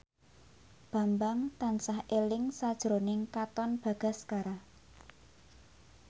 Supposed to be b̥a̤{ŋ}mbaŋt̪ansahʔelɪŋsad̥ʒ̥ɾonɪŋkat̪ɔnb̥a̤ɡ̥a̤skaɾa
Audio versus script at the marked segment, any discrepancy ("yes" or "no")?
yes